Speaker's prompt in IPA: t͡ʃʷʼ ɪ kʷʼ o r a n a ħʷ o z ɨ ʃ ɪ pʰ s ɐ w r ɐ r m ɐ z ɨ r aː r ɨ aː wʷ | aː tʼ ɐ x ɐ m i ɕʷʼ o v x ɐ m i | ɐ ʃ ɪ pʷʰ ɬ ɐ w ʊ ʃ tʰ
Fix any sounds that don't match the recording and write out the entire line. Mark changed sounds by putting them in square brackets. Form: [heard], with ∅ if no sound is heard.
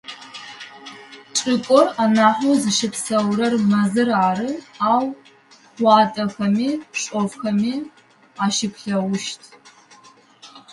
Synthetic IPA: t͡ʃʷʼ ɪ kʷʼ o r a n a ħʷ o z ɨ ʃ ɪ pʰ s ɐ w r ɐ r m ɐ z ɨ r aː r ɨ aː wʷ | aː tʼ ɐ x ɐ m i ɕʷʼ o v x ɐ m i | [a] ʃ ɪ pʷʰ ɬ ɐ w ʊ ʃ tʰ

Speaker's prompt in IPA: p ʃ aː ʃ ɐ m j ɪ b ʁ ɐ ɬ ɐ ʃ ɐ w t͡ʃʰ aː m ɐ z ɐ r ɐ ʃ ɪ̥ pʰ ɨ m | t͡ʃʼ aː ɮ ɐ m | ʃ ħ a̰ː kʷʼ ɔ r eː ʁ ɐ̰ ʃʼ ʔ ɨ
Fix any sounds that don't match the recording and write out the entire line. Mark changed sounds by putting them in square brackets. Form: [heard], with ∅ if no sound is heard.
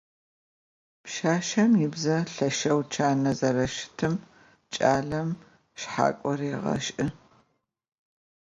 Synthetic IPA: p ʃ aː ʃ ɐ m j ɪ b [z] ɐ ɬ ɐ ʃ ɐ w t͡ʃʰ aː [n] ɐ z ɐ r ɐ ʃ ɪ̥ [tʰ] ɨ m | t͡ʃʼ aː ɮ ɐ m | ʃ ħ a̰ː kʷʼ ɔ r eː ʁ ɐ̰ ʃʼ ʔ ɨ

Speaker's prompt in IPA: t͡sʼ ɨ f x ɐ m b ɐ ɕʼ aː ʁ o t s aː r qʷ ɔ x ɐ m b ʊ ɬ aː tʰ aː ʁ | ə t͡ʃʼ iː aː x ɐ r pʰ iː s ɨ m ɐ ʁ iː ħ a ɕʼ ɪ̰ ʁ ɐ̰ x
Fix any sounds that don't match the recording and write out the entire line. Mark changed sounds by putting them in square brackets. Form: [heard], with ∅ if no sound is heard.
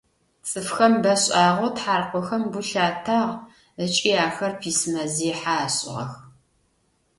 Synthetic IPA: t͡sʼ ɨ f x ɐ m b ɐ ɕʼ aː ʁ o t [ħ] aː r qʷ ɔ x ɐ m b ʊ ɬ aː tʰ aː ʁ | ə t͡ʃʼ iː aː x ɐ r pʰ iː s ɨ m ɐ [z] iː ħ a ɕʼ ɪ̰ ʁ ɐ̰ x

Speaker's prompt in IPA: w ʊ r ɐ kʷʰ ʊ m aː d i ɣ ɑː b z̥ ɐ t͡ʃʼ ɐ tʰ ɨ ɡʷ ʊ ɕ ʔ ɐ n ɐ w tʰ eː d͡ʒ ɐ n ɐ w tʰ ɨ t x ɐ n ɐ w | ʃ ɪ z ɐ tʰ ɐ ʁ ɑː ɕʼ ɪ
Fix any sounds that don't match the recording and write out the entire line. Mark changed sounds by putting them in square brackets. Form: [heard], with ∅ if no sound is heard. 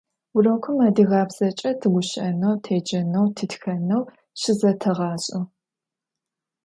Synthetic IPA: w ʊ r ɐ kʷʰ ʊ m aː d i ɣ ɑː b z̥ ɐ t͡ʃʼ ɐ tʰ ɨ ɡʷ ʊ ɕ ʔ ɐ n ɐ w tʰ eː d͡ʒ ɐ n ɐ w tʰ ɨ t x ɐ n ɐ w | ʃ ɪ z ɐ tʰ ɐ ʁ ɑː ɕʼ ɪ

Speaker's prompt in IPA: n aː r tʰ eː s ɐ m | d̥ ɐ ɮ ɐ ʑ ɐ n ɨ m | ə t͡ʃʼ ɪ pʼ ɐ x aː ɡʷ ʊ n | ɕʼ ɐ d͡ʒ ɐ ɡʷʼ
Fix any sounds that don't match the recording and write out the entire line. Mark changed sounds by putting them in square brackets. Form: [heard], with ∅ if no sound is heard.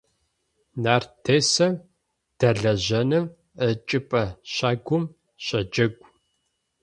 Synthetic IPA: n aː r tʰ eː s ɐ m | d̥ ɐ ɮ ɐ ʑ ɐ n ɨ m | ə t͡ʃʼ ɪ pʼ ɐ [ɕ] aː ɡʷ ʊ [m] | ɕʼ ɐ d͡ʒ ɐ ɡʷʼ

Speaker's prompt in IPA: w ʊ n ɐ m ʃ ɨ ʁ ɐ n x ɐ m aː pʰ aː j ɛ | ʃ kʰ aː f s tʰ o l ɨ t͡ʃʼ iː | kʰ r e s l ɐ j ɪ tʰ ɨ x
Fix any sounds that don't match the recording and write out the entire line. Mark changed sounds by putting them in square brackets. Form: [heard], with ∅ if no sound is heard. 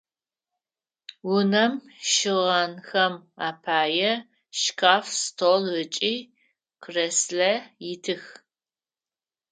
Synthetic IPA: w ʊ n ɐ m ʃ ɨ ʁ ɐ n x ɐ m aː pʰ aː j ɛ | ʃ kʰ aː f s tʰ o l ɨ t͡ʃʼ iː | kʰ r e s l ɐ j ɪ tʰ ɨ x

